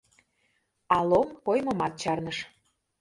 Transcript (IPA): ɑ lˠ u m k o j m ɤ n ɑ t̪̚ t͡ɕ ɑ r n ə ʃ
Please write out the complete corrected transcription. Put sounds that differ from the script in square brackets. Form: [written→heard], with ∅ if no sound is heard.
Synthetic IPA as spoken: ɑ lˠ [u→o] m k o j m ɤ [n→m] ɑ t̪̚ t͡ɕ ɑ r n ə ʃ